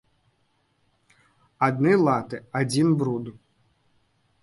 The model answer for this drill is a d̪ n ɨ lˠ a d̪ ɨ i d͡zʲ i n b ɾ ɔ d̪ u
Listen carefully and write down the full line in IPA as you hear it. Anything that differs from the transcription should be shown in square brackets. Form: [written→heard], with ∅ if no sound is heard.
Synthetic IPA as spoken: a d̪ n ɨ lˠ a [d̪→t̪] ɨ [i→a] d͡zʲ i n b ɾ [ɔ→u] d̪ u